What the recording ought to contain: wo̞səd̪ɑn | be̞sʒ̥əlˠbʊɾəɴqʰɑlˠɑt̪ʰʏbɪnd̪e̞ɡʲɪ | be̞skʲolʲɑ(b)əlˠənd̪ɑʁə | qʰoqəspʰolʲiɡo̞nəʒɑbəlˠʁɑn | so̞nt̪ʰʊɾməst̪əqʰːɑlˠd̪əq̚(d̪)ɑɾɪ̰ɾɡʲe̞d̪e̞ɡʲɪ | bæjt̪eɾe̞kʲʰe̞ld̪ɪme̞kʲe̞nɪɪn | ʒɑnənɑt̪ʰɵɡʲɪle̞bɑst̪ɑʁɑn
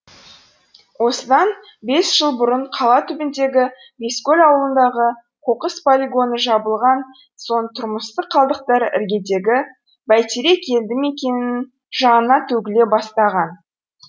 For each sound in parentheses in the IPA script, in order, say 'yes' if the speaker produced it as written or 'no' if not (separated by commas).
no, no